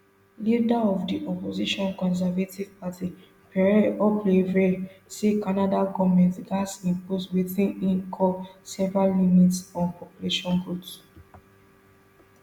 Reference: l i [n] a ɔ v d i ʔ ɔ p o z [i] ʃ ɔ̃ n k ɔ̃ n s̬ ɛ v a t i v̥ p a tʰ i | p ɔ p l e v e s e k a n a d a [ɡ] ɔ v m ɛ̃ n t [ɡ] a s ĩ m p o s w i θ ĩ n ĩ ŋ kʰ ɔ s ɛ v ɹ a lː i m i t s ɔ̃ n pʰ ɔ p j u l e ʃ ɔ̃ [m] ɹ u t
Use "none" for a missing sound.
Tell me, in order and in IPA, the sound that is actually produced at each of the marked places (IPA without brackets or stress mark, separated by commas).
d, i, ɡ, ɡ, n